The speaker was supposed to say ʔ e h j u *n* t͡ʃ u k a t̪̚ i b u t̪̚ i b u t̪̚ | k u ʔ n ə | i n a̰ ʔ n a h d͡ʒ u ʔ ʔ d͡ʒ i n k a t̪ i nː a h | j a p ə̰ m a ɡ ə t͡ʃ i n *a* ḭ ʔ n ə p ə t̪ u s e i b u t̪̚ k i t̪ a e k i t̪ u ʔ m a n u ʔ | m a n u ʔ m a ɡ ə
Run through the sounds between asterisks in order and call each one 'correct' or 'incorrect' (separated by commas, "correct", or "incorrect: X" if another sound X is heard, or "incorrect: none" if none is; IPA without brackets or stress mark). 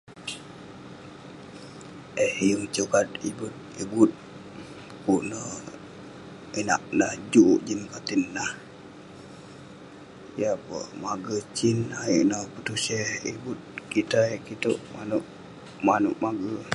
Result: incorrect: ŋ, correct